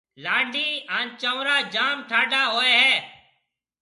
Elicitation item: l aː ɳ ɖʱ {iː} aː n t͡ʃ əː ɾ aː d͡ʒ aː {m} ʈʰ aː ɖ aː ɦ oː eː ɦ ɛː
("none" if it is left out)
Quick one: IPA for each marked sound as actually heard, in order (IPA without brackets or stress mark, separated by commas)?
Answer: iː, m